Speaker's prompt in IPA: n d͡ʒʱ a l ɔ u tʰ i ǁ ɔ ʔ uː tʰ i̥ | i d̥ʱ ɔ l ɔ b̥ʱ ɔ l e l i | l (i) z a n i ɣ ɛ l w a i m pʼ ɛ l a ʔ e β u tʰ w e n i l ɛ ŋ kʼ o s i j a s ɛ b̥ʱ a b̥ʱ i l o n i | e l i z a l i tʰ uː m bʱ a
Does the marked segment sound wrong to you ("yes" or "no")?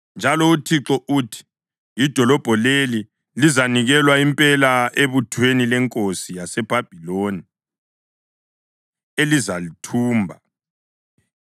no